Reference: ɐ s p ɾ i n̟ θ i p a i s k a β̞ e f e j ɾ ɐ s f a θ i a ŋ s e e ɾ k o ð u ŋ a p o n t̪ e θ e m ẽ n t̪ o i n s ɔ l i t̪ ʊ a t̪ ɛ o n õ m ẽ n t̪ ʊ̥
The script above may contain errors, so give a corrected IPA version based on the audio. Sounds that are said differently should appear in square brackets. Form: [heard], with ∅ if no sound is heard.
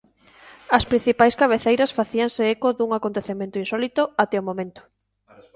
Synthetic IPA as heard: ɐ s p ɾ i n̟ θ i p a [j] s k a β̞ e [θ] e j ɾ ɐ s f a θ i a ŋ s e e [∅] k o ð u ŋ a [k] o n t̪ e θ e m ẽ n t̪ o i n s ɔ l i t̪ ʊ a t̪ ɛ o [m] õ m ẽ n t̪ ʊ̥